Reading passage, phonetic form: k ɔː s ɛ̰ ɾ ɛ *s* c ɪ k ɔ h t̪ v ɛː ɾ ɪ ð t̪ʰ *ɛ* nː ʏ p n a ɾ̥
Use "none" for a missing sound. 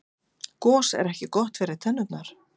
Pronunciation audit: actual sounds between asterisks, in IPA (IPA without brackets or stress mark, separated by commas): h, ɛ